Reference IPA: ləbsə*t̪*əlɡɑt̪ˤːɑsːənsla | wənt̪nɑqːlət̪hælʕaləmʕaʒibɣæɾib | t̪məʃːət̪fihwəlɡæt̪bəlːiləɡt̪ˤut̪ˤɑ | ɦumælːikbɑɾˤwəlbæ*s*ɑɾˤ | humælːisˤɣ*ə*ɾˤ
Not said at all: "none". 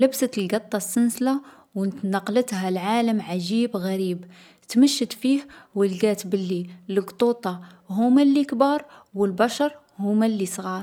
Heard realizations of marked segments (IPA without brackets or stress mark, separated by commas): t̪, ʃ, ɑ